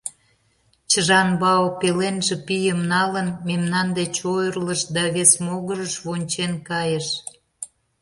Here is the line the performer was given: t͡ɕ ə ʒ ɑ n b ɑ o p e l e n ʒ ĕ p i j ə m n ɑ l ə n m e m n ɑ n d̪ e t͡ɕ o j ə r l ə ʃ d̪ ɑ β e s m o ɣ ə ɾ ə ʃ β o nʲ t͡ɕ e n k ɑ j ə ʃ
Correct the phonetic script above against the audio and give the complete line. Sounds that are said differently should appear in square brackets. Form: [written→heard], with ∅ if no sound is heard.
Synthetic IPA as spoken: t͡ɕ ə ʒ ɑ n b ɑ o p e l e n ʒ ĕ p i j ə m n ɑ l ə n m e m n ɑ n d̪ e t͡ɕ o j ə r l ə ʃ d̪ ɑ β e s m o ɣ ə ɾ ə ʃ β o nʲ t͡ɕ e n k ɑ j ə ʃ